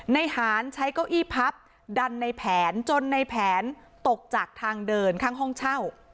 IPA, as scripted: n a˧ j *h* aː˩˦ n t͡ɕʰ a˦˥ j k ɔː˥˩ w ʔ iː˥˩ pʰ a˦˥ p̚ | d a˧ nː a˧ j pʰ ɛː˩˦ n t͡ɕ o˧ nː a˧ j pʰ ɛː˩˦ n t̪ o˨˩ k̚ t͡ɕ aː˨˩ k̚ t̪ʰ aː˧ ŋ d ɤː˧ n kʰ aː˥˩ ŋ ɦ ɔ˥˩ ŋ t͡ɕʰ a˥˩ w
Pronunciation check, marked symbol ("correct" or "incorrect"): correct